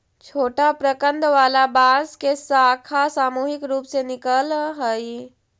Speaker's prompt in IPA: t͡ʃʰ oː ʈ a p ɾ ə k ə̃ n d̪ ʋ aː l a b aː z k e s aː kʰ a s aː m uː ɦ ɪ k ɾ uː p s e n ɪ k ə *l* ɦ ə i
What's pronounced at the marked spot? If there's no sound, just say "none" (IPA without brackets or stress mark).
l